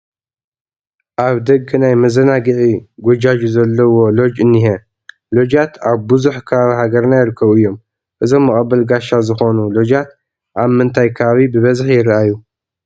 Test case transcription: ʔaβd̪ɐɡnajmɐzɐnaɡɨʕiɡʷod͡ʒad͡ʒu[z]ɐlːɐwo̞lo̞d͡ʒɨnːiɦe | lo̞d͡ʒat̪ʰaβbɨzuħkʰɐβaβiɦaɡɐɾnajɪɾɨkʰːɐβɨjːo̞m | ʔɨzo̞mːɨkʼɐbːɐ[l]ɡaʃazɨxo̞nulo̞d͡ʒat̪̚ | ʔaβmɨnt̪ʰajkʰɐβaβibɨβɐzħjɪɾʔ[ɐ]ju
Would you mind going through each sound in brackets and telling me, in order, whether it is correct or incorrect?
correct, correct, incorrect: a

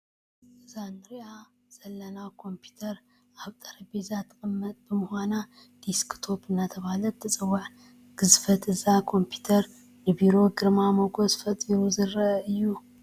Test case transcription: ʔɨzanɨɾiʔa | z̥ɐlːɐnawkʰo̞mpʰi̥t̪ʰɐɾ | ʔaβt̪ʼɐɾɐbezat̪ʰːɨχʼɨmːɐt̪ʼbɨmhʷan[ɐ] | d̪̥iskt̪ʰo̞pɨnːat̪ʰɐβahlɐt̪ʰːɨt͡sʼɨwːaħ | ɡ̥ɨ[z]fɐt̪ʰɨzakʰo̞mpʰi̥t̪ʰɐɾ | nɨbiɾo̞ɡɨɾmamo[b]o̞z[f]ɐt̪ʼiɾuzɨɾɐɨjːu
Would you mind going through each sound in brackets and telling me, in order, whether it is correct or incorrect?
incorrect: a, correct, incorrect: ɡ, correct

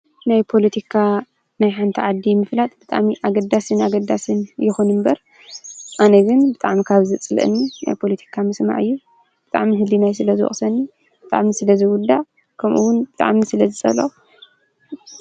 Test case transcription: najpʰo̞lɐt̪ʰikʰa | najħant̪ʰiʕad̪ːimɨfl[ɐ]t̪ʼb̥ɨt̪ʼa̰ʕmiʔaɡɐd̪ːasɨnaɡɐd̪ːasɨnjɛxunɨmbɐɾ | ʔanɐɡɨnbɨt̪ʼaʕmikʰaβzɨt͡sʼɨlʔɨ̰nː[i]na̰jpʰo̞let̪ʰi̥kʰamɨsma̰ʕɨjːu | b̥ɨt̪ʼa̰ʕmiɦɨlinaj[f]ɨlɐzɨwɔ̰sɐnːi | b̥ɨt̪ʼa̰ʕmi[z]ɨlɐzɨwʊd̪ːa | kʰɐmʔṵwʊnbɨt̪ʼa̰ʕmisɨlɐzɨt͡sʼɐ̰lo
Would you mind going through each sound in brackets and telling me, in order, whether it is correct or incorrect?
incorrect: a, correct, incorrect: s, incorrect: s

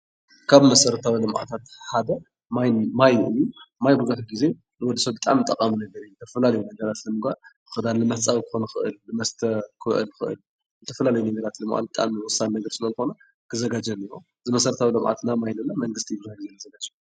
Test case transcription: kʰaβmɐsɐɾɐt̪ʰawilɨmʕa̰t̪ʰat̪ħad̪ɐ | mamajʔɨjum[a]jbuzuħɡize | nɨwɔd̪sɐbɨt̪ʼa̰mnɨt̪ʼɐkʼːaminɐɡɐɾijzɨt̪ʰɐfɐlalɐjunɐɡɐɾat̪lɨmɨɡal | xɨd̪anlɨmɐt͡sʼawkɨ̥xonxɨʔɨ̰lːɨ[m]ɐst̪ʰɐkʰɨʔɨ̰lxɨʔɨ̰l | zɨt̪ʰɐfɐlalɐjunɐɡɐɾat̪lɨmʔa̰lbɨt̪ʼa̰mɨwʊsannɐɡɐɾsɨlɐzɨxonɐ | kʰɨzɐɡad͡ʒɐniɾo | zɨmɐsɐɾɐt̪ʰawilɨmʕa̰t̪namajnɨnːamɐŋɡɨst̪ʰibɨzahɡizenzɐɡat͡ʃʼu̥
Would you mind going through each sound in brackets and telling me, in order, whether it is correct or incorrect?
correct, correct

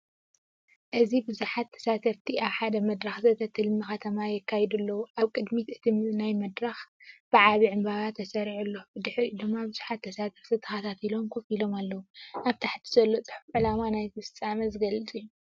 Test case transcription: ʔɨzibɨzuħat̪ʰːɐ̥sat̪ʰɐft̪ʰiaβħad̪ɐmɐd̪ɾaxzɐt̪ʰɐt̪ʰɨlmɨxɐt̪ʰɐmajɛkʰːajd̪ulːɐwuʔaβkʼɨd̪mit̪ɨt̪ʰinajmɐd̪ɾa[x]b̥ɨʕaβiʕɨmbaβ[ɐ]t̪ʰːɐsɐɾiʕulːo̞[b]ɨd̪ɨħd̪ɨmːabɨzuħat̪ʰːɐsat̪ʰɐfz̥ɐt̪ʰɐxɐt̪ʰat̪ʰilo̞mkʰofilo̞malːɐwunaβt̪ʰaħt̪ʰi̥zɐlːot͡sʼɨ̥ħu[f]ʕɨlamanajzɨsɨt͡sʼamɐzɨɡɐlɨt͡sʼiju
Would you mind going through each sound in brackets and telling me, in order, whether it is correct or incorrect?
correct, incorrect: a, correct, correct

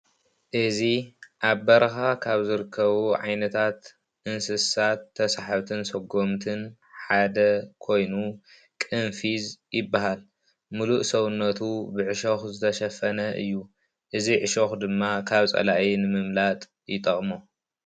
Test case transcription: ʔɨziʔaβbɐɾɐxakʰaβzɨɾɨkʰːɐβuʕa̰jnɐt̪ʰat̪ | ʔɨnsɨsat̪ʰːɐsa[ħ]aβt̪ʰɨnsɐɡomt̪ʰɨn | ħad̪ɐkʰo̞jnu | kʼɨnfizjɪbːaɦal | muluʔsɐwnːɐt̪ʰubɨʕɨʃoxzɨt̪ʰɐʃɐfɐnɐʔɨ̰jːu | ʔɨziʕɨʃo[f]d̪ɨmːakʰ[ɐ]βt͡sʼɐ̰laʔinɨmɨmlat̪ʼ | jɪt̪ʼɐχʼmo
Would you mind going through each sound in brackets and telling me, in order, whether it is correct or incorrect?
correct, incorrect: x, incorrect: a

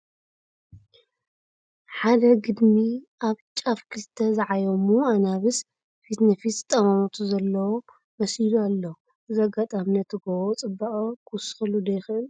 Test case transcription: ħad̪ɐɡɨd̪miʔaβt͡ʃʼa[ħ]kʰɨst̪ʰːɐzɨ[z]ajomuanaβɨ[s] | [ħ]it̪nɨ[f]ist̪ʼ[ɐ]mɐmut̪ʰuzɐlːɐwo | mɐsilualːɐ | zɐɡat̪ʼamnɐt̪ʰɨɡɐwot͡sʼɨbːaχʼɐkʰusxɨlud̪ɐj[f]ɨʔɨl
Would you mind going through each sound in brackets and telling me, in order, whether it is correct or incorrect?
incorrect: f, incorrect: ʕ, correct, incorrect: f, correct, correct, incorrect: x

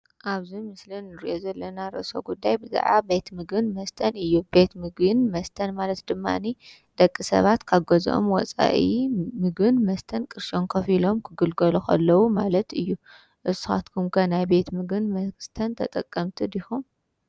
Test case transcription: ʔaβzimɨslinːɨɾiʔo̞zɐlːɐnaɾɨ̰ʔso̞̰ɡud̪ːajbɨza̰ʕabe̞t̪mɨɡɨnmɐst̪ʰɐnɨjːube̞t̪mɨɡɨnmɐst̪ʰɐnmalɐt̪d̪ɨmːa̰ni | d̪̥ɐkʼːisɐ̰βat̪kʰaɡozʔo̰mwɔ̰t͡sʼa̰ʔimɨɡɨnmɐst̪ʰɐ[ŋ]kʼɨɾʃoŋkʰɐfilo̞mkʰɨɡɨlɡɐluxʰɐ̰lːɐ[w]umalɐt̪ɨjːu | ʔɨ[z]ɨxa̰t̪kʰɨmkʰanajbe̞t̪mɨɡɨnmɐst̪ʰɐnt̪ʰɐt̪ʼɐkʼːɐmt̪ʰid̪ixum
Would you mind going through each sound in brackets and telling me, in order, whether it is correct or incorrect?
incorrect: n, correct, incorrect: s

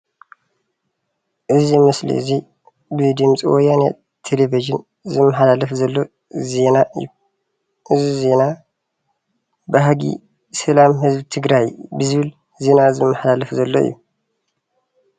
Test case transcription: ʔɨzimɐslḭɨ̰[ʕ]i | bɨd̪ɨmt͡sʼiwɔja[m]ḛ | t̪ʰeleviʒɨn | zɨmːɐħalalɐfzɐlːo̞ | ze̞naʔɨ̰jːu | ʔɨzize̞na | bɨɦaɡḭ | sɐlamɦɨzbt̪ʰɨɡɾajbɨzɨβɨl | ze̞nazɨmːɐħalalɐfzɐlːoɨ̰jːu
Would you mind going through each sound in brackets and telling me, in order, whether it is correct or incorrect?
incorrect: z, incorrect: n

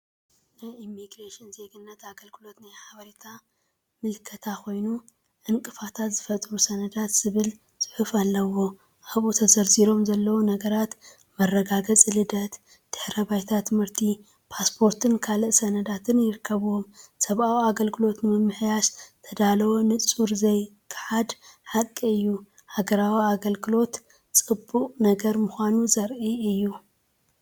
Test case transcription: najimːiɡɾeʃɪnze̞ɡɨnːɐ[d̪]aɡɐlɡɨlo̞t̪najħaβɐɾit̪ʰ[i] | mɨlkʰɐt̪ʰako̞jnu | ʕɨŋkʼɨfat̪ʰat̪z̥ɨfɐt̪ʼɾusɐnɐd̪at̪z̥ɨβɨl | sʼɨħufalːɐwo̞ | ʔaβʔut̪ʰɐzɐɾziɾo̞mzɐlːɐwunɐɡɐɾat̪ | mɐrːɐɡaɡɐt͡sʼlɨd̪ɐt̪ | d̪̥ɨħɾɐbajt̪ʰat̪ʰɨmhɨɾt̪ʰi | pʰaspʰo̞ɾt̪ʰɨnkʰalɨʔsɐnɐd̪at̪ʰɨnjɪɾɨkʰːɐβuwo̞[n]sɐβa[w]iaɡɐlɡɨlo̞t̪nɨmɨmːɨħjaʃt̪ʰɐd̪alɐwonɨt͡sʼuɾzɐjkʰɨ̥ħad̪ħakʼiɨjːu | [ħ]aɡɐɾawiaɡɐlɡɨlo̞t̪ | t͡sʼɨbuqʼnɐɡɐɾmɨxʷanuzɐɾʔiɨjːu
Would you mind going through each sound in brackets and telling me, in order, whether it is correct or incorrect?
incorrect: t̪, incorrect: a, incorrect: m, correct, incorrect: h

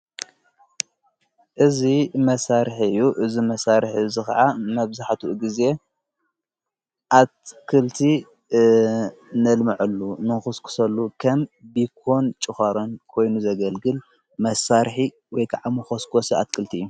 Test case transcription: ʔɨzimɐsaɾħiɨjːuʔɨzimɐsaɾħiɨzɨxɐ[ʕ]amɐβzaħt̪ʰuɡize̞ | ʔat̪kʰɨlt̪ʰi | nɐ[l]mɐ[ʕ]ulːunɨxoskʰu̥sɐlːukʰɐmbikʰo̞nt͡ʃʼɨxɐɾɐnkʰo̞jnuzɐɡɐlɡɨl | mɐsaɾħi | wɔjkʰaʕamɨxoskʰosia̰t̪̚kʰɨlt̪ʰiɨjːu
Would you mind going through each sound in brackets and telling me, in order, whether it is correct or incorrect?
correct, correct, correct

